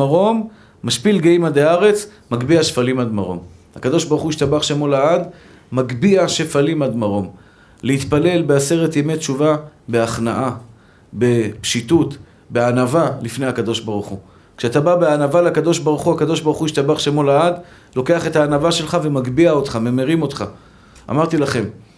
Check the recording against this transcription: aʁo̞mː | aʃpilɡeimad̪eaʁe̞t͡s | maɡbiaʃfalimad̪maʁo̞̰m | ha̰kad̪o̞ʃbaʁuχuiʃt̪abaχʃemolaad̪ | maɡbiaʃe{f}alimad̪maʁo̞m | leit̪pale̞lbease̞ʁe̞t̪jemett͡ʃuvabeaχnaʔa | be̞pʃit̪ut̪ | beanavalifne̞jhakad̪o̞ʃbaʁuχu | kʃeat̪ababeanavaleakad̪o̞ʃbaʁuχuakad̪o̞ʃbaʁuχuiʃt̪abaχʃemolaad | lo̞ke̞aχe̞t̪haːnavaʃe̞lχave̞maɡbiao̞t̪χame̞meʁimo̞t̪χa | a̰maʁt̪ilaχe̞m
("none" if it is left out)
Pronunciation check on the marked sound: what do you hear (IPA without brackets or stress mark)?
f